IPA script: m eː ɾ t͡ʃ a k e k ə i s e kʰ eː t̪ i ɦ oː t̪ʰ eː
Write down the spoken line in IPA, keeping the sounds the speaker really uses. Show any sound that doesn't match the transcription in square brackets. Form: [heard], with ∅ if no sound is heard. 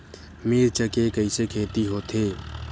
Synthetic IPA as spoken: m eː ɾ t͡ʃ [ə] k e k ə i s e kʰ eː t̪ i ɦ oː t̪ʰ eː